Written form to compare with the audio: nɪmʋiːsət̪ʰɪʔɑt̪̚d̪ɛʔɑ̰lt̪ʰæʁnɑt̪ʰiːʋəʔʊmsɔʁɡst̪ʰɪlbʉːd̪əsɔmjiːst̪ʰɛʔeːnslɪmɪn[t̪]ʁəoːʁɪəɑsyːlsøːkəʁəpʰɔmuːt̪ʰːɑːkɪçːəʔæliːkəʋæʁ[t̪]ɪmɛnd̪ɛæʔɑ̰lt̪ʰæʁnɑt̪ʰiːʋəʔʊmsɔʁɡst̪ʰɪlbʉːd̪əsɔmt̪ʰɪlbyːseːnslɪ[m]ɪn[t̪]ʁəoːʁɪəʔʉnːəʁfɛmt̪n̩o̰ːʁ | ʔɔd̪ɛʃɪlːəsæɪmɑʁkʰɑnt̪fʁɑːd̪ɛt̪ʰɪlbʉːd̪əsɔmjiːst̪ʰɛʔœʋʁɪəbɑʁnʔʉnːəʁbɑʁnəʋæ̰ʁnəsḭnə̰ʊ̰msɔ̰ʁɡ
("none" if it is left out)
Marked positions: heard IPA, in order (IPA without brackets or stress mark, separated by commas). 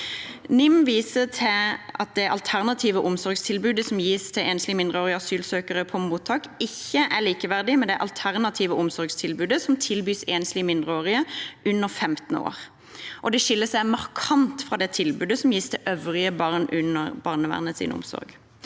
d̪, d̪, m, d̪